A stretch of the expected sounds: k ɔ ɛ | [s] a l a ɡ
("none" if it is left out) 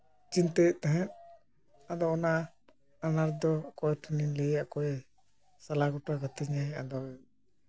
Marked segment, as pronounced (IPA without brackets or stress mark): s